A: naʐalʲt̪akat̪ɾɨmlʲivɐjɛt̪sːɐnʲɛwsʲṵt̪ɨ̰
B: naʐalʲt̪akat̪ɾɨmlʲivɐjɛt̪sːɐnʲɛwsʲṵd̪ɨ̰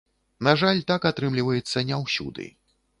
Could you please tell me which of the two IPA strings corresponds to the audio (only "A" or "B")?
B